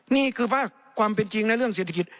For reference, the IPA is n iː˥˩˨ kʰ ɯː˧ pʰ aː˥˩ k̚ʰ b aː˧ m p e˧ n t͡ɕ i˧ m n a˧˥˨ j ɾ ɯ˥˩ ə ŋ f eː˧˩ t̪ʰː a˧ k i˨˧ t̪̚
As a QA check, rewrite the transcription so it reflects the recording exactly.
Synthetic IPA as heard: n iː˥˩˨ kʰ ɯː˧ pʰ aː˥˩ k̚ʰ w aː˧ m p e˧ n t͡ɕ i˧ ŋ n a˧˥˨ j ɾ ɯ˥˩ ə ŋ s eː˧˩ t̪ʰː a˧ k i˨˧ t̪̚

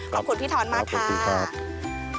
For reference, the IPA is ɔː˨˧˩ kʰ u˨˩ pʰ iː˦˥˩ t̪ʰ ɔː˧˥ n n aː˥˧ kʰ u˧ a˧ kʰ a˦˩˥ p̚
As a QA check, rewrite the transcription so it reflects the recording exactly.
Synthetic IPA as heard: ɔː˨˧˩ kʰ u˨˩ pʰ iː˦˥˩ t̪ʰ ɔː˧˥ n m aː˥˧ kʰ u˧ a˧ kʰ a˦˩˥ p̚

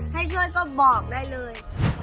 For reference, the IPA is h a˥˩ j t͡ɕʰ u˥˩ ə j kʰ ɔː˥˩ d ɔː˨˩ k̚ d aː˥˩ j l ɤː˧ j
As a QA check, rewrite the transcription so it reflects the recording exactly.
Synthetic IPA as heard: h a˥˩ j t͡ɕʰ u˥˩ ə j k ɔː˥˩ b ɔː˨˩ k̚ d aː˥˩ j l ɤː˧ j

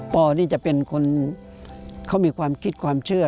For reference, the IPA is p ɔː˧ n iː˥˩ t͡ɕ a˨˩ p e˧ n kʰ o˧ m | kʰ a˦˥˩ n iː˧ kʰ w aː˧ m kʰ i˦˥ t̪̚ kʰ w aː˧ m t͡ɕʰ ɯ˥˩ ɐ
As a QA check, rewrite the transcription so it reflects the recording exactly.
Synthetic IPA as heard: p ɔː˧ n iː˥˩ t͡ɕ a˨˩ p e˧ n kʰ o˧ n | kʰ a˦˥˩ m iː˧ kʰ w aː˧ m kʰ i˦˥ t̪̚ kʰ w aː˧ m t͡ɕʰ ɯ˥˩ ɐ

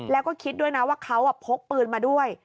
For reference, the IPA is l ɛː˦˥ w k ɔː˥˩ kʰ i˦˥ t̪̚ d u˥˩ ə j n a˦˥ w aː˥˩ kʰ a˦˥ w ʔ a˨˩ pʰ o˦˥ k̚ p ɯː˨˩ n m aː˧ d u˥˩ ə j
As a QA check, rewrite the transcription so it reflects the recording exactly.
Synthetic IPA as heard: l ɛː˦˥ w k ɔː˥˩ kʰ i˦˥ t̪̚ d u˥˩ ə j n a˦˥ w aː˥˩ kʰ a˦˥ w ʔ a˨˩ pʰ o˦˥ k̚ p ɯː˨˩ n m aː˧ d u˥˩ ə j

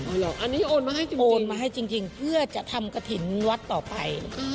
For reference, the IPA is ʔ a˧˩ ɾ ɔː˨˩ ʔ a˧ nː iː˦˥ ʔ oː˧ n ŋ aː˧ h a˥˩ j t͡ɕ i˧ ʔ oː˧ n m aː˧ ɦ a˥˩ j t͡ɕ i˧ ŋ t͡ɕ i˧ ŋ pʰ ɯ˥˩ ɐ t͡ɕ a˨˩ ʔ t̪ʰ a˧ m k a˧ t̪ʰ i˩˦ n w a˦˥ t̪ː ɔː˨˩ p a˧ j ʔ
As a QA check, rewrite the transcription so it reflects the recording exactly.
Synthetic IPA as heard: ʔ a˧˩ l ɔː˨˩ ʔ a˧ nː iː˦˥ ʔ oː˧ n m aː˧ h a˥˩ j t͡ɕ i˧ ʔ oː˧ n m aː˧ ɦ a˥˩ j t͡ɕ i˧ ŋ t͡ɕ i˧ ŋ pʰ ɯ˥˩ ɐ t͡ɕ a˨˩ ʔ t̪ʰ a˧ m k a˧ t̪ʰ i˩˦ n w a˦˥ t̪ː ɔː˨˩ p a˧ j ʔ

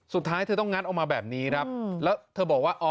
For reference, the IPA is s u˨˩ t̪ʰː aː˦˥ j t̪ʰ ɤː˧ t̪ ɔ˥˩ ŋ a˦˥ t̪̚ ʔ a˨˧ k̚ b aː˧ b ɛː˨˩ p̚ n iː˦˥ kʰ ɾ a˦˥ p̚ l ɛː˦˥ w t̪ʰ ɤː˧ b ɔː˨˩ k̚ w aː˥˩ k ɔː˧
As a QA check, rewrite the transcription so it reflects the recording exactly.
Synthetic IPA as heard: s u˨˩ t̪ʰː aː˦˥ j t̪ʰ ɤː˧ t̪ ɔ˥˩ ŋ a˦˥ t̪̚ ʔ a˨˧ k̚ m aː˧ b ɛː˨˩ p̚ n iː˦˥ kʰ ɾ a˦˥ p̚ l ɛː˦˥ w t̪ʰ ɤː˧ b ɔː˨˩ k̚ w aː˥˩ ʔ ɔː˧

